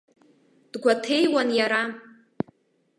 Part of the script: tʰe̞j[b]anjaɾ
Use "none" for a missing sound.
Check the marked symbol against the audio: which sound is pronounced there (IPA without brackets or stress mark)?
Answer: w